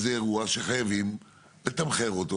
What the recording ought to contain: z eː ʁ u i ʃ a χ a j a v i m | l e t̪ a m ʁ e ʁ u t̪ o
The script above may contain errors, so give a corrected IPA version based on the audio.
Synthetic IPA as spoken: z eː ʁ u a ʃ e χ a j a v i m | l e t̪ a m χ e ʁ o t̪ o